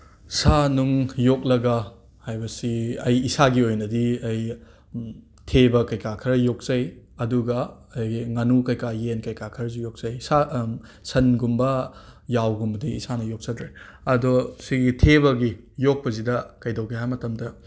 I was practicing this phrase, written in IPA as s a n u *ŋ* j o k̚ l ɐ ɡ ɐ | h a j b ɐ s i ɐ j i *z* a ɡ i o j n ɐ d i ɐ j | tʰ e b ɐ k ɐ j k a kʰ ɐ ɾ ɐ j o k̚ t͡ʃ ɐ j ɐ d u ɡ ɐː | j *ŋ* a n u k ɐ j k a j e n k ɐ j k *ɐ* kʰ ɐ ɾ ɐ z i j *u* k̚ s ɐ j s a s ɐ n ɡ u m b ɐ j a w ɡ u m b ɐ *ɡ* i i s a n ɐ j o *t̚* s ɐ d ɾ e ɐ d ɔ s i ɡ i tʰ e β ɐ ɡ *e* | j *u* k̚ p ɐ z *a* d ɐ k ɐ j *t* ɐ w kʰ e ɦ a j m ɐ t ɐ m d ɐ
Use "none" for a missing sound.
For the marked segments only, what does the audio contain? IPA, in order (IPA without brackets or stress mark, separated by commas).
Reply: ŋ, s, ŋ, a, o, d, k̚, i, o, i, d